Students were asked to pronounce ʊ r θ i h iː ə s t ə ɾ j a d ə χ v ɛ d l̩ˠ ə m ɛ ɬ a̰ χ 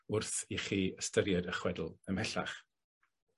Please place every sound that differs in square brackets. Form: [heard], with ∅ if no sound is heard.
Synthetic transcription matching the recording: ʊ r θ i [χ] iː ə s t ə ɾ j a d ə χ [w] ɛ d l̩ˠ ə m ɛ ɬ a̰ χ

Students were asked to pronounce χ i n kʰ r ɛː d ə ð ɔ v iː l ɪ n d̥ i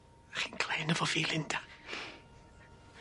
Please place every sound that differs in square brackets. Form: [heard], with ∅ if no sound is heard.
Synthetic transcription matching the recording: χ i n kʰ [l] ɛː [n] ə [v] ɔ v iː l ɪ n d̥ [a]

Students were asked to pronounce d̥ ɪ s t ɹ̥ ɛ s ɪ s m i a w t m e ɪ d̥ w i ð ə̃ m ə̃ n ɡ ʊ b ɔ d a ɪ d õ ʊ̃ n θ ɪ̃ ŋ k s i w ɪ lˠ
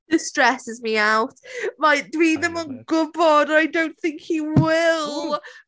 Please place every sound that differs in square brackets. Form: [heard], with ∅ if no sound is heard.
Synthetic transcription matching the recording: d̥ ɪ s t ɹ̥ ɛ s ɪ [z] m i a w t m [a] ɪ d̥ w i ð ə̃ m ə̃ n ɡ ʊ b ɔ d a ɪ d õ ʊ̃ n θ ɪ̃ ŋ k [h] i w ɪ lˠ

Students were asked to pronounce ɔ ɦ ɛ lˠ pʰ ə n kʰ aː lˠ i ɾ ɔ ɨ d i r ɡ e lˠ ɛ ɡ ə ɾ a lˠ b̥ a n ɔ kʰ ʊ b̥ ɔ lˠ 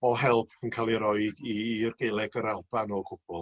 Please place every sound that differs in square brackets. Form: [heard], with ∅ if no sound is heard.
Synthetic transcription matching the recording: ɔ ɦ ɛ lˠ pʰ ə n kʰ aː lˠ i ɾ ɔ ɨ d i r ɡ e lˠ ɛ ɡ ə ɾ a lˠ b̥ a n ɔ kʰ ʊ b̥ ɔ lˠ

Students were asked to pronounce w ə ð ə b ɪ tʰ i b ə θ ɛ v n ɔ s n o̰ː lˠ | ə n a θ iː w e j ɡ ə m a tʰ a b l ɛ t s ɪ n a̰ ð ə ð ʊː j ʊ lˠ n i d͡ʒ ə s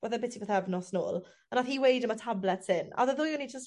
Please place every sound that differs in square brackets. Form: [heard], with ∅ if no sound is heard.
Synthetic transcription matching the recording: w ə ð ə b ɪ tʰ i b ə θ ɛ v n ɔ s n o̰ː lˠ | ə n a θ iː w e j [d] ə m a tʰ a b l ɛ t s ɪ n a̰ ð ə ð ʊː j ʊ [∅] n i d͡ʒ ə s

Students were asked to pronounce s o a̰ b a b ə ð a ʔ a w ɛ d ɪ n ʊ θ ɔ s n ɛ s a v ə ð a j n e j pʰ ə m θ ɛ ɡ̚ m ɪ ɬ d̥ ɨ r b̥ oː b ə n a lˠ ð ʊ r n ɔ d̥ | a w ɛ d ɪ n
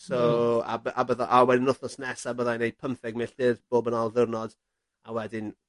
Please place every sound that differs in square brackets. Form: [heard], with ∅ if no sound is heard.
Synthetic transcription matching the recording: s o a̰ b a b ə ð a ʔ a w ɛ d ɪ n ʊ θ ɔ s n ɛ s a [b] ə ð a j n e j pʰ ə m θ ɛ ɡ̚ m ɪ ɬ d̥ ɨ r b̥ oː b ə n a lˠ ð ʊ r n ɔ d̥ | a w ɛ d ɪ n

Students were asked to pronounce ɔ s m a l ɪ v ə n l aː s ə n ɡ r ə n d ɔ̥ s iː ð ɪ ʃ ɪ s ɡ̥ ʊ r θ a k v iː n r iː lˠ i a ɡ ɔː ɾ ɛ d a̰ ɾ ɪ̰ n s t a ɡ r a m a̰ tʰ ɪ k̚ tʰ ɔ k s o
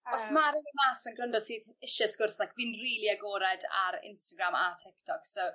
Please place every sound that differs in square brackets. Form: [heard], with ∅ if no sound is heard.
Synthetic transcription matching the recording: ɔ s m a [ɾ] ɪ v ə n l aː s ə n ɡ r ə n d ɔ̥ s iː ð ɪ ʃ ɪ s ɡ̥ ʊ r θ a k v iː n r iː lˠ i a ɡ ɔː ɾ ɛ d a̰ ɾ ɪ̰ n s t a ɡ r a m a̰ tʰ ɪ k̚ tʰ ɔ k s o

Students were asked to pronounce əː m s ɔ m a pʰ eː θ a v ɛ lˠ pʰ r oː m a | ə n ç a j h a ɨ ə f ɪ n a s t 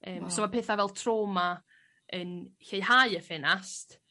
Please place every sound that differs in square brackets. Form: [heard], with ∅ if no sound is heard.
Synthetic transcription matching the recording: əː m s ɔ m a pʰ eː θ a v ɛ lˠ [tʰ] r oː m a | ə n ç [e] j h a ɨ ə f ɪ n a s t

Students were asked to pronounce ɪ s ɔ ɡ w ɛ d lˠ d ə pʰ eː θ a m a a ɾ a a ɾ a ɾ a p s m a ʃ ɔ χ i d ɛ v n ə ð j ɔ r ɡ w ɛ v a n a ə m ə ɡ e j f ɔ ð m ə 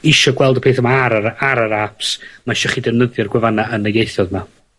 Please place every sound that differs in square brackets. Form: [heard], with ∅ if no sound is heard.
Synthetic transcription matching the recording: ɪ [ʃ] ɔ ɡ w ɛ [∅] lˠ d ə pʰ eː θ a m a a ɾ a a ɾ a ɾ a p s m a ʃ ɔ χ i d ɛ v n ə ð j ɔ r ɡ w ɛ v a n a ə [n] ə ɡ e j [θ] ɔ ð m [a]

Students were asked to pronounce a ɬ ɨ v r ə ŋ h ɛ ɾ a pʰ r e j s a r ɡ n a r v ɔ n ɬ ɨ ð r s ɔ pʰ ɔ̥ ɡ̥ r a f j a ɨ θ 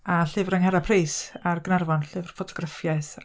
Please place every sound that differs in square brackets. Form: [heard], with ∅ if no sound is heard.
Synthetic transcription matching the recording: a ɬ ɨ v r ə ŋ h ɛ ɾ a pʰ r e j s a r ɡ n a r v ɔ n ɬ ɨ [v] r [f] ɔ [tʰ] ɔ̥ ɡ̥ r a f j a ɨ θ

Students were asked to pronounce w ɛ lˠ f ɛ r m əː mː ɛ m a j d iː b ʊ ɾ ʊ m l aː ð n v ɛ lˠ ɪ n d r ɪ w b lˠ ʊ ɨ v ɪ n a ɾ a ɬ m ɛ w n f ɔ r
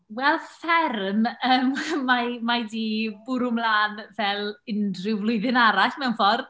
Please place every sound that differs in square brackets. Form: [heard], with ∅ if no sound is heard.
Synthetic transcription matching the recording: w ɛ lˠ f ɛ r m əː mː [a] m a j d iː b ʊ ɾ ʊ m l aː [∅] n v ɛ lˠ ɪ n d r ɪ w [v] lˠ ʊ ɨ [ð] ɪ n a ɾ a ɬ m ɛ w n f ɔ r

